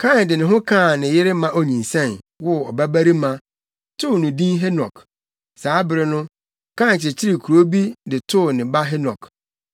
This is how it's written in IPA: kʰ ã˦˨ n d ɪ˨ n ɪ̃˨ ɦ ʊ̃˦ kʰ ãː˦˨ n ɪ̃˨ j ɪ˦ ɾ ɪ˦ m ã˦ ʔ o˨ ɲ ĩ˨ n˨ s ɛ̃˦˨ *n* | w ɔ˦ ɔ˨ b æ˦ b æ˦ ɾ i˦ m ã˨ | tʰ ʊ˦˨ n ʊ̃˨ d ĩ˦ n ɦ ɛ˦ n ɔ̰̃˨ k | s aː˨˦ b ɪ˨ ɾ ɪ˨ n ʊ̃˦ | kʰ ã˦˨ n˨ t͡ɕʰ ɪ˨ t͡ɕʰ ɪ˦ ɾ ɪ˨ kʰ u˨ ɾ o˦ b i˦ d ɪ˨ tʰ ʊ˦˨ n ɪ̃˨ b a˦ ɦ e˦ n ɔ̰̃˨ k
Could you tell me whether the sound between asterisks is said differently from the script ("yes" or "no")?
no